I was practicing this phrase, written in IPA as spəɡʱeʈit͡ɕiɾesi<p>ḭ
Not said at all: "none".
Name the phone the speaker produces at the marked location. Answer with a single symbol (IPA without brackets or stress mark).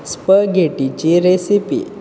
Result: p